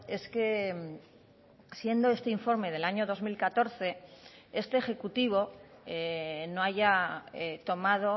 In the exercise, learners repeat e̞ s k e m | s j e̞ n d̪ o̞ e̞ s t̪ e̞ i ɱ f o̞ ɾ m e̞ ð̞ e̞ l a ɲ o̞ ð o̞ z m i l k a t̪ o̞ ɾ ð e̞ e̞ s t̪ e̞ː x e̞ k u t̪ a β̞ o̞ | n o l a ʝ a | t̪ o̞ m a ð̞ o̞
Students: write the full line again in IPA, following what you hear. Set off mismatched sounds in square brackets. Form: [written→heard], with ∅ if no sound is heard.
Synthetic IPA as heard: e̞ s k e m | s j e̞ n d̪ o̞ e̞ s t̪ e̞ i ɱ f o̞ ɾ m e̞ ð̞ e̞ l a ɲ o̞ ð o̞ z m i l k a t̪ o̞ ɾ [ð→θ] e̞ e̞ s t̪ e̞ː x e̞ k u t̪ [a→i] β̞ o̞ | n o [l→∅] a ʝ a | t̪ o̞ m a ð̞ o̞